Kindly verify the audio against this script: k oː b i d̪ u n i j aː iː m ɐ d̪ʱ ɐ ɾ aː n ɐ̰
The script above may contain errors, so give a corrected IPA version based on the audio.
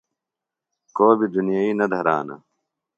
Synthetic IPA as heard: k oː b i d̪ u n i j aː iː n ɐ d̪ʱ ɐ ɾ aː n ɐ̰